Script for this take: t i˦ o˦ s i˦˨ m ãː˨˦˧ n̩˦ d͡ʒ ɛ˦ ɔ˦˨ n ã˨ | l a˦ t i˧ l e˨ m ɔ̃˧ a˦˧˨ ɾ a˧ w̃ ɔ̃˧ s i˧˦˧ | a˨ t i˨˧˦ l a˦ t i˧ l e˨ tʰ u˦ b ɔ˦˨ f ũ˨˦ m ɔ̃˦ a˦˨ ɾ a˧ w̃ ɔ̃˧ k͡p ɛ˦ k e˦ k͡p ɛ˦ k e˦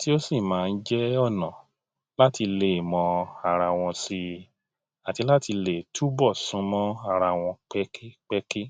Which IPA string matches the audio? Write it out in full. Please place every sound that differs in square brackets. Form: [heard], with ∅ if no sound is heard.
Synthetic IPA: t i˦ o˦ s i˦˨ m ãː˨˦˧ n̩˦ d͡ʒ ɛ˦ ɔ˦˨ n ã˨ | l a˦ t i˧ l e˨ m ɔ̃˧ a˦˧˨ ɾ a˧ w̃ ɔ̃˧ s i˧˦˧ | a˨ t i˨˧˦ l a˦ t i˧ l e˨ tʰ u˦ b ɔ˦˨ [s] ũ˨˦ m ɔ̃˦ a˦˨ ɾ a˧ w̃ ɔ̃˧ k͡p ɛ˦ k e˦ k͡p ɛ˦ k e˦